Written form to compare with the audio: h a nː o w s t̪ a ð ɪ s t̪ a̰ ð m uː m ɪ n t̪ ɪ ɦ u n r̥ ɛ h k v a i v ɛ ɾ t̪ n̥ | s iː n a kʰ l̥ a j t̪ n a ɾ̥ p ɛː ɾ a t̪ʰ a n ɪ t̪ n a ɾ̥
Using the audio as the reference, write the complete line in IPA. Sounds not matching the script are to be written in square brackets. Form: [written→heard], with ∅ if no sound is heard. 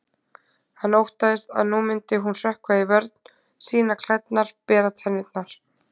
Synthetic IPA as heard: h a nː o w [s→h] t̪ a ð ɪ s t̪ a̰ ð [m→n] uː m ɪ n t̪ ɪ ɦ u n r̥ ɛ h k v a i v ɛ ɾ t̪ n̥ | s iː n a kʰ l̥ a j t̪ n a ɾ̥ p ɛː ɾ a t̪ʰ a n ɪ t̪ n a ɾ̥